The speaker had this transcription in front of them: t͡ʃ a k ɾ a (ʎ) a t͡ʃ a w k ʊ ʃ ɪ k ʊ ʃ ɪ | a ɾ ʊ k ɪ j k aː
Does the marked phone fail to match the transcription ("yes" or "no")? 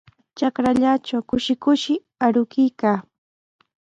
no